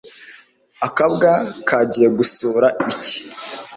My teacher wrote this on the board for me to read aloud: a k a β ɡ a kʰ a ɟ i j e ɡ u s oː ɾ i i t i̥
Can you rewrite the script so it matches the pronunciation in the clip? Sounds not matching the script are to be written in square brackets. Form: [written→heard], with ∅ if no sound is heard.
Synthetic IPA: a k a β ɡ a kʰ a ɟ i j e ɡ u s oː ɾ [i→a] i [t→c] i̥

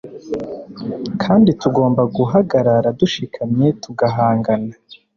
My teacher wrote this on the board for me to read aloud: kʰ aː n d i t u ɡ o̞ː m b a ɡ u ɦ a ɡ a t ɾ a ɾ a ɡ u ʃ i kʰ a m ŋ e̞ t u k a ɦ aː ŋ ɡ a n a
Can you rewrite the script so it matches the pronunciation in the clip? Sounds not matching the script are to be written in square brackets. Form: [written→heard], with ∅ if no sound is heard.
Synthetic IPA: kʰ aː n d i t u ɡ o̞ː m b a ɡ u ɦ a ɡ a [t→∅] ɾ a ɾ a [ɡ→d] u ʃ i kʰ a m [ŋ→ɲ] e̞ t u [k→ɡ] a ɦ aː ŋ ɡ a n a

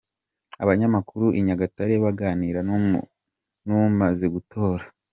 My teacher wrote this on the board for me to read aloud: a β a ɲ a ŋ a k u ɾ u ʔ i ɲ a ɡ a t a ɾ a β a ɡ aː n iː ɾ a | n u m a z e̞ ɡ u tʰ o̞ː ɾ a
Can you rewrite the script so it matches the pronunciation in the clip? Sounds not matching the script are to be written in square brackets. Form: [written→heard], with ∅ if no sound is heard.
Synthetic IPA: a β a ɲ a [ŋ→m] a k u ɾ u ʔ i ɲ a ɡ a t a ɾ [a→e] β a ɡ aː n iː ɾ a | n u m a z e̞ ɡ u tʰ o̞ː ɾ a

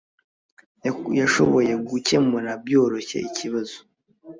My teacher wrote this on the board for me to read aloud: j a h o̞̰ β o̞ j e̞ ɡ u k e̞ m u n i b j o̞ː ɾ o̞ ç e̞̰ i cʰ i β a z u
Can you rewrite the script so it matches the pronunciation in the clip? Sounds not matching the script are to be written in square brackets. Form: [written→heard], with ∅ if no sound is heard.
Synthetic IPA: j a [h→ʃ] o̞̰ β o̞ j e̞ ɡ u [k→c] e̞ m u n [i→a] b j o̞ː ɾ o̞ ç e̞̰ i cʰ i β a z [u→o]

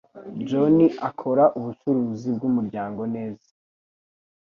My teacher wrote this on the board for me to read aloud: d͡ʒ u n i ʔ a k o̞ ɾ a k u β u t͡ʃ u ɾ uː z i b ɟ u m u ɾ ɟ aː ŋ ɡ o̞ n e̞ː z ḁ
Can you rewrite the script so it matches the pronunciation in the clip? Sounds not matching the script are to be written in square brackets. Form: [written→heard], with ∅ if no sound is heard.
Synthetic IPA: d͡ʒ [u→o] n i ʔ a [k→kʰ] o̞ ɾ a [k→ʔ] u β u t͡ʃ u ɾ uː z i b [ɟ→ɡ] u m u ɾ ɟ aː ŋ ɡ o̞ n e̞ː z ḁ

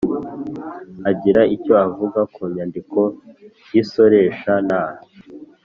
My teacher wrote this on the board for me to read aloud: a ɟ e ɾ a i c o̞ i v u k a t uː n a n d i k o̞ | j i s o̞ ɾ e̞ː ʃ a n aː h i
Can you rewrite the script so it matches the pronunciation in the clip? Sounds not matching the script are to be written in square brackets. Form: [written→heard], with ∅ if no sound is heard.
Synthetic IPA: a ɟ [e→i] ɾ a i c o̞ [i→a] v u [k→ɡ] a [t→k] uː [n→ɲ] a n d i k o̞ | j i s o̞ ɾ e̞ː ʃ a n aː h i

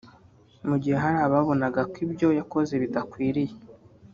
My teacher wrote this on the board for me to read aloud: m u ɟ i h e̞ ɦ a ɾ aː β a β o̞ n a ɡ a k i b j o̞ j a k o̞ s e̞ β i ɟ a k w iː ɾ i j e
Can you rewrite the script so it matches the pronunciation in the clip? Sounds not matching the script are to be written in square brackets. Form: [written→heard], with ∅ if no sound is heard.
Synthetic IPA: m u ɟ i h e̞ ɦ a ɾ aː β a β o̞ n a ɡ a k i b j o̞ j a k o̞ [s→z] e̞ β i [ɟ→d] a k w iː ɾ i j e

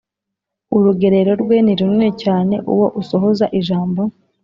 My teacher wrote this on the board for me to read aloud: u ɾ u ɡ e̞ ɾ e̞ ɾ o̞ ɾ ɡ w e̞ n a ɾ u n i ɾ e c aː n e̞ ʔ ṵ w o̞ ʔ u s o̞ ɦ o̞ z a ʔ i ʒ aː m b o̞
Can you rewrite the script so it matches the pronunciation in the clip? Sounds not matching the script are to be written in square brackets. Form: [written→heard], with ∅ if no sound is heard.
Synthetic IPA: u ɾ u ɡ e̞ ɾ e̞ ɾ o̞ ɾ ɡ w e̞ n [a→i] ɾ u n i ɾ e c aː n e̞ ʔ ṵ w o̞ ʔ u s o̞ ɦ o̞ z a ʔ i ʒ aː m b o̞

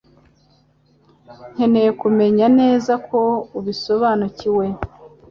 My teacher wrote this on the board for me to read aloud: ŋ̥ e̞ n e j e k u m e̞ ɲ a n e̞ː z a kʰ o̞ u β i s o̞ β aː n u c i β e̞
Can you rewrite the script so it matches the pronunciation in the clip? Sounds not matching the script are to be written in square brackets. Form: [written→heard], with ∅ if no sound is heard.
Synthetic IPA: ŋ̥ e̞ n e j e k u m e̞ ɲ a n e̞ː z a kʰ o̞ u β i s o̞ β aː n u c i [β→w] e̞

